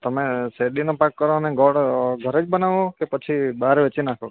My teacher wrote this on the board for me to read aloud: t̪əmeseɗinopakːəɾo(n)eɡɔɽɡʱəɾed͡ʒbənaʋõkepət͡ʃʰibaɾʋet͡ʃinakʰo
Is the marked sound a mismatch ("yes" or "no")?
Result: no